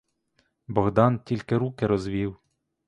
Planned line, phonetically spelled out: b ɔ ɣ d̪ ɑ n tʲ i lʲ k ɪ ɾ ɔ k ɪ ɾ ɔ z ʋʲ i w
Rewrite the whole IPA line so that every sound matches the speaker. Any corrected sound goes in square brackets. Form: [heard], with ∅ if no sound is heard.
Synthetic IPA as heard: b ɔ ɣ d̪ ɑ n tʲ i lʲ k ɪ ɾ [u] k ɪ ɾ ɔ z ʋʲ i w